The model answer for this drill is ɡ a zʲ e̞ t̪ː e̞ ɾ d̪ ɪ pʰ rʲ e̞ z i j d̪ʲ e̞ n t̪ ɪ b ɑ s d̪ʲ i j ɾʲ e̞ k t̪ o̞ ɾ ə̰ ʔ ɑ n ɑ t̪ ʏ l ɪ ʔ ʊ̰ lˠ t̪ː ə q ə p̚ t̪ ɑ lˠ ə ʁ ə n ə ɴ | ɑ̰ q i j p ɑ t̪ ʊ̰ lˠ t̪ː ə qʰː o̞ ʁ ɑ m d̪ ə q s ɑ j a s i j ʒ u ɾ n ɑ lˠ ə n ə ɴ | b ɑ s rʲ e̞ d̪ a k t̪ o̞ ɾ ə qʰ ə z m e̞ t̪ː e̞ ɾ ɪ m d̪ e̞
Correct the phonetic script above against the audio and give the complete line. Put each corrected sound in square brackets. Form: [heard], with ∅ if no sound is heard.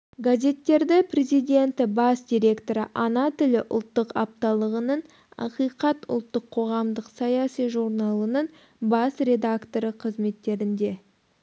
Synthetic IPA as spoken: ɡ a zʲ e̞ t̪ː e̞ ɾ d̪ ɪ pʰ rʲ e̞ z i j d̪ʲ e̞ n t̪ ɪ b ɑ s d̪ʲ i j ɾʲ e̞ k t̪ o̞ ɾ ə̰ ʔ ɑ n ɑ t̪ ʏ l ɪ ʔ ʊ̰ lˠ t̪ː ə q [ɑ] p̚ t̪ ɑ lˠ ə ʁ ə n ə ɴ | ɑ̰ q i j [q] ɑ t̪ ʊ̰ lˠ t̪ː ə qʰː o̞ ʁ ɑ m d̪ ə q s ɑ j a s i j ʒ u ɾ n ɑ lˠ ə n ə ɴ | b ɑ s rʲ e̞ d̪ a k t̪ o̞ ɾ ə qʰ ə z m e̞ t̪ː e̞ ɾ ɪ [n] d̪ e̞

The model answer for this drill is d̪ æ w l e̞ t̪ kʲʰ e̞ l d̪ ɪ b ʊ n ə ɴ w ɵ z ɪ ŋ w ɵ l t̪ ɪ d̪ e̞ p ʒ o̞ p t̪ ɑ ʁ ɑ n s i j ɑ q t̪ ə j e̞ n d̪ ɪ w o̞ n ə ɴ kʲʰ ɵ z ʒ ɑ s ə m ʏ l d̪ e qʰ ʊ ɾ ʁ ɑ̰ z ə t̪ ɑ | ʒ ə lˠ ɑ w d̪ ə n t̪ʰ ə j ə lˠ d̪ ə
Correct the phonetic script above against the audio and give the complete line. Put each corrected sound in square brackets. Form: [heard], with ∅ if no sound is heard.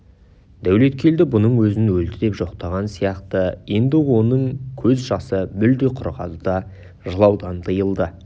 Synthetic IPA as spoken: d̪ æ w l e̞ t̪ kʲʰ e̞ l d̪ ɪ b ʊ n ə ɴ w ɵ z ɪ [n] w ɵ l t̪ ɪ d̪ e̞ p ʒ o̞ [q] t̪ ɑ ʁ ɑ n s i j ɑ q t̪ ə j e̞ n d̪ ɪ w o̞ n ə ɴ kʲʰ ɵ z ʒ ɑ s ə m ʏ l d̪ e qʰ ʊ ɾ ʁ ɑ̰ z ə [d̪] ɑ | ʒ ə lˠ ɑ w d̪ [ɑ] n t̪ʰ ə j ə lˠ d̪ ə

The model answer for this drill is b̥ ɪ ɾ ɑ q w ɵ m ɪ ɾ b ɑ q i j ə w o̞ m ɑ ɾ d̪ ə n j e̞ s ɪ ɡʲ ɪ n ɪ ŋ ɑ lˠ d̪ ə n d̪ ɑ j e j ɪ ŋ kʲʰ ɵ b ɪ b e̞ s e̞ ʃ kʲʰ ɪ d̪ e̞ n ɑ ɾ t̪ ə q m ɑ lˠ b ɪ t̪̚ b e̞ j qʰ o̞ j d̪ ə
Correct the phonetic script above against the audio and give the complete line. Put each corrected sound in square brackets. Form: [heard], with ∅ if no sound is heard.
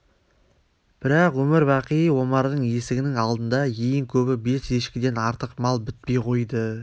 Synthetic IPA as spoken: b̥ ɪ ɾ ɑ q w ɵ m ɪ ɾ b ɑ q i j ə w o̞ m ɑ ɾ d̪ ə [ɴ] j e̞ s ɪ ɡʲ ɪ n ɪ ŋ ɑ lˠ d̪ ə n d̪ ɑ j e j ɪ ŋ kʲʰ ɵ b ɪ b e̞ s e̞ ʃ [kʲ] ɪ d̪ e̞ n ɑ ɾ t̪ ə q m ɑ lˠ b ɪ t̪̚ [p] e̞ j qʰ o̞ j d̪ ə

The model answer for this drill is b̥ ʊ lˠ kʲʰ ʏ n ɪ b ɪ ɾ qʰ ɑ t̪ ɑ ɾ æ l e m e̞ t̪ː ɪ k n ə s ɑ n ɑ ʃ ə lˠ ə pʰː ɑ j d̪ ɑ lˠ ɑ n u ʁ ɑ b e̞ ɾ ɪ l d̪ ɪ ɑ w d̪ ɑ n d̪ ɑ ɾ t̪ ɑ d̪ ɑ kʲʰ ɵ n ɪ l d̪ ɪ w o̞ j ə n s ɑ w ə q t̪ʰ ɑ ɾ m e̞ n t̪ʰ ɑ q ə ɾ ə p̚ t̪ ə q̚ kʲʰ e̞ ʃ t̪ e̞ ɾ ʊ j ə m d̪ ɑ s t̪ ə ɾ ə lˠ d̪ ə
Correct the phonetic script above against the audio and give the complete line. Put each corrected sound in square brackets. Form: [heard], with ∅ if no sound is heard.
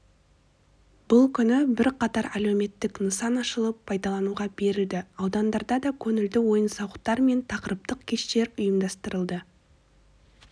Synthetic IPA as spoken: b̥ ʊ lˠ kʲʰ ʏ n ɪ b ɪ ɾ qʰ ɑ t̪ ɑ ɾ æ l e m e̞ t̪ː ɪ k n ə s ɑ n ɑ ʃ ə lˠ ə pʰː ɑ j d̪ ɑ lˠ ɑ n u ʁ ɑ b e̞ ɾ ɪ l d̪ ɪ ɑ w d̪ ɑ n d̪ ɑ ɾ [d̪] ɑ d̪ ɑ kʲʰ ɵ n ɪ l d̪ ɪ w o̞ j ə n s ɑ w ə q [t̪] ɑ ɾ m e̞ n t̪ʰ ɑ q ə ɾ ə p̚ t̪ ə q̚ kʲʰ e̞ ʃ t̪ e̞ ɾ ʊ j ə m d̪ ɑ s t̪ ə ɾ ə lˠ d̪ ə

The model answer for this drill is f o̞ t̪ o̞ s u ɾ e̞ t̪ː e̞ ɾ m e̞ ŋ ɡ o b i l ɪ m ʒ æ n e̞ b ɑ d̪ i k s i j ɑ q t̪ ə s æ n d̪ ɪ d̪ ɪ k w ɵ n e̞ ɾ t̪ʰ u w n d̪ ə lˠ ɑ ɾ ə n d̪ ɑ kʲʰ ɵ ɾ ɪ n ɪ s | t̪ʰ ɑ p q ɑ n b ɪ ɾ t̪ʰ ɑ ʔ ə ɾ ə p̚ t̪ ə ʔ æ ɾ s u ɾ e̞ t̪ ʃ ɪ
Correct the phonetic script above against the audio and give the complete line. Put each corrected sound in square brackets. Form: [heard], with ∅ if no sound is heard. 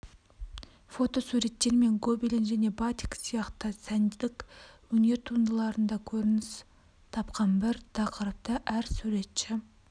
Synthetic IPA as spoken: f o̞ t̪ o̞ s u ɾ e̞ t̪ː e̞ ɾ m e̞ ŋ ɡ o b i l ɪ [n] ʒ æ n e̞ b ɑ [t̪] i k s i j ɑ q t̪ ə s æ n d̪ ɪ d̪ ɪ k w ɵ n e̞ ɾ t̪ʰ u [∅] n d̪ ə lˠ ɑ ɾ ə n d̪ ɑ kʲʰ ɵ ɾ ɪ n ɪ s | t̪ʰ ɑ p q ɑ n b ɪ ɾ t̪ʰ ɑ [q] ə ɾ ə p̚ t̪ ə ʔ æ ɾ s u ɾ e̞ t̪ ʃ ɪ

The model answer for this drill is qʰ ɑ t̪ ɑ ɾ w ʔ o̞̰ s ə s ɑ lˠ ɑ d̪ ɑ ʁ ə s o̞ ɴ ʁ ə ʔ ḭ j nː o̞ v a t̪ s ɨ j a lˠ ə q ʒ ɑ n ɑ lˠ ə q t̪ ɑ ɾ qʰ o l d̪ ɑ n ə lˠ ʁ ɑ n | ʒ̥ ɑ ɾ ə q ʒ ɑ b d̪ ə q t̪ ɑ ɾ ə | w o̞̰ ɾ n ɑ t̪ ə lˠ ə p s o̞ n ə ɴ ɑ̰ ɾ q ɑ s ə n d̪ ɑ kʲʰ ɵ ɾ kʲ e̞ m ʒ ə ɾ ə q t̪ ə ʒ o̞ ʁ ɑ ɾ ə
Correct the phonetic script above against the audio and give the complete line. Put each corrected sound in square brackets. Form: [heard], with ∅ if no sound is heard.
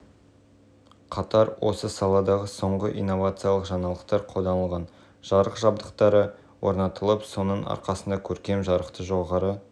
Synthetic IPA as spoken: qʰ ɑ t̪ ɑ ɾ w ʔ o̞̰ s ə s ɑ lˠ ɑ d̪ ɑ ʁ ə s o̞ ɴ ʁ ə ʔ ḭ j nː o̞ v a t̪ s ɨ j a lˠ ə q ʒ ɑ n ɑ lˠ ə q t̪ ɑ ɾ qʰ o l d̪ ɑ n ə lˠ ʁ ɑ n | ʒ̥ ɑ ɾ ə q ʒ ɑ b d̪ ə q t̪ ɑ ɾ ə | w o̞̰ ɾ n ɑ t̪ ə lˠ ə p s o̞ n ə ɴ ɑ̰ ɾ q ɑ s ə n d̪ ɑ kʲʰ ɵ ɾ kʲ e̞ m ʒ [ɑ] ɾ ə q t̪ ə ʒ o̞ ʁ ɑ ɾ ə

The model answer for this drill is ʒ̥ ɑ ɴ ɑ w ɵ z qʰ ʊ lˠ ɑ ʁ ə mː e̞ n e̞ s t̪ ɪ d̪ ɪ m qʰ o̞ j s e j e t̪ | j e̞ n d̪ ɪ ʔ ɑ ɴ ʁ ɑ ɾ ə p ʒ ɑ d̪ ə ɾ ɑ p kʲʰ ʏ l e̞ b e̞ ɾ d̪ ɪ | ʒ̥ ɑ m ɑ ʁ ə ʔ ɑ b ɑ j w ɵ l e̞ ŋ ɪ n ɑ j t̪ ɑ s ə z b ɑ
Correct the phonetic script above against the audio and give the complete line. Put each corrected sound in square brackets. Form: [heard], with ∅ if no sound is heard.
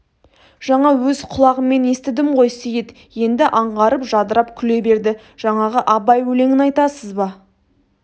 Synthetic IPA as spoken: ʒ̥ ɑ ɴ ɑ w ɵ z qʰ ʊ lˠ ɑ ʁ ə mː e̞ n e̞ s t̪ ɪ d̪ ɪ m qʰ o̞ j s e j e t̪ | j e̞ n d̪ ɪ ʔ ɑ ɴ ʁ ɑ ɾ ə p ʒ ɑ d̪ ə ɾ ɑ p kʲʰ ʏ l e̞ b e̞ ɾ d̪ ɪ | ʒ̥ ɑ [ɴ] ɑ ʁ ə ʔ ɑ b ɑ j w ɵ l e̞ ŋ ɪ n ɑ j t̪ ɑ s ə z b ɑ

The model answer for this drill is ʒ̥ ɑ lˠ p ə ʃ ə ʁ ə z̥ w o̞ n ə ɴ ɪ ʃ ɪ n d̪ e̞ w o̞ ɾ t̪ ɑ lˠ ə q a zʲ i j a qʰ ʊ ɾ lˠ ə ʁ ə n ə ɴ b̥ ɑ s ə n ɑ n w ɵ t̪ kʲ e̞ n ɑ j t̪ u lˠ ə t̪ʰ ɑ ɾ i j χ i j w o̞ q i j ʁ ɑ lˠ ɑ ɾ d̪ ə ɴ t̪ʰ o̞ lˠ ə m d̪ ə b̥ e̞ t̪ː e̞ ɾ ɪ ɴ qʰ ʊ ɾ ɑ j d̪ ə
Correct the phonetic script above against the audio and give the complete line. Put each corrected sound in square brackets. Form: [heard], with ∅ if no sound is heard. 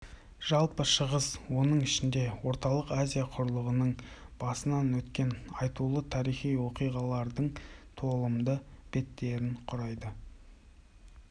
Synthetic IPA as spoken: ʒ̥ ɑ lˠ p ə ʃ ə ʁ ə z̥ w o̞ n ə ɴ ɪ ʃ ɪ n d̪ e̞ w o̞ ɾ t̪ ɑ lˠ ə q a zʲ i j a qʰ ʊ ɾ lˠ ə ʁ ə n ə ɴ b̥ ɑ s ə n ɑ n w ɵ t̪ kʲ e̞ n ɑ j t̪ u lˠ ə t̪ʰ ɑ ɾ i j χ i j w o̞ q i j ʁ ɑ lˠ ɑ ɾ d̪ ə ɴ t̪ʰ o̞ lˠ ə m d̪ ə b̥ e̞ t̪ː e̞ ɾ ɪ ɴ qʰ ʊ ɾ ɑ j d̪ ə

